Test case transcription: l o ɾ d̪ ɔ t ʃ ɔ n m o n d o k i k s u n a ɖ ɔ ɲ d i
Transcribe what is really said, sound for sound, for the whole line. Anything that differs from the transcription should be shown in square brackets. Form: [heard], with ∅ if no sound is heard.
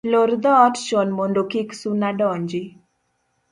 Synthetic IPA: l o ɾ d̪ ɔ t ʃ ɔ n m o n d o k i k s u n a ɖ ɔ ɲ [d͡ʒ] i